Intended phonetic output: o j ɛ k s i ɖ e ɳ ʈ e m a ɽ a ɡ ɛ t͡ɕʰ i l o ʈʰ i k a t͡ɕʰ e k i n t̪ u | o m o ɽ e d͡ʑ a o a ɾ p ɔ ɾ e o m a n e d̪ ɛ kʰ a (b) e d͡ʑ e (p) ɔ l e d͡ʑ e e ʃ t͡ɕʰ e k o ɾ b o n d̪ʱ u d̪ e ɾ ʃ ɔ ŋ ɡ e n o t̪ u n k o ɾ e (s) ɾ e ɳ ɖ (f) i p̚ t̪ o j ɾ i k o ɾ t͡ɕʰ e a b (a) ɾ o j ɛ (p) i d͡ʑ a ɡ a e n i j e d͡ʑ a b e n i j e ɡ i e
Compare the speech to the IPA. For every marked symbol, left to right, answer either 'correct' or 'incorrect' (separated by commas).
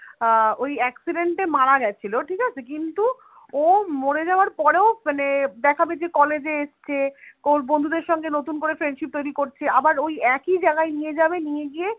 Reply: correct, incorrect, incorrect, incorrect, correct, incorrect